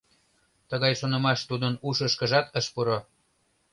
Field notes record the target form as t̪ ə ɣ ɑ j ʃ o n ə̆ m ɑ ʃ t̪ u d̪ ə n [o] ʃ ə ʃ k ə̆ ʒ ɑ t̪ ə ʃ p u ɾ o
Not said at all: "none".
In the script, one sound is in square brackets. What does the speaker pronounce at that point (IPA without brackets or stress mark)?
u